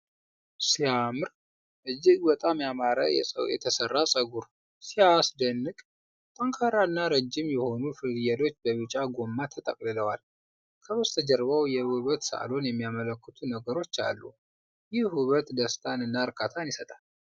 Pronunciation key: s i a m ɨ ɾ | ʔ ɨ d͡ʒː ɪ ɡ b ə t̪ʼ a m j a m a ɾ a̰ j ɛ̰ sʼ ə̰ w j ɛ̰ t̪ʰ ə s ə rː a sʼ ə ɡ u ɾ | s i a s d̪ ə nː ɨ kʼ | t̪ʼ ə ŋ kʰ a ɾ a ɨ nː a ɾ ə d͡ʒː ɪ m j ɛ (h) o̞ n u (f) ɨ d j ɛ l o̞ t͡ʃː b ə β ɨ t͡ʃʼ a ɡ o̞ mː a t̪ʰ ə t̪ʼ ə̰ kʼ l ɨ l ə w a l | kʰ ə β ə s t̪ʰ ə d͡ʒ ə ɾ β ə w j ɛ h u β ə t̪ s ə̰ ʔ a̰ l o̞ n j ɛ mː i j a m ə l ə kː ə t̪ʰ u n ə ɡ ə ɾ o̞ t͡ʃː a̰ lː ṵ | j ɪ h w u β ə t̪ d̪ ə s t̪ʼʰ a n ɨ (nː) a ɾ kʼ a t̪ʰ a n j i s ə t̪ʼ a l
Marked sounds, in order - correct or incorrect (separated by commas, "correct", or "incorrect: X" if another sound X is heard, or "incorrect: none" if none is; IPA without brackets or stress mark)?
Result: correct, correct, correct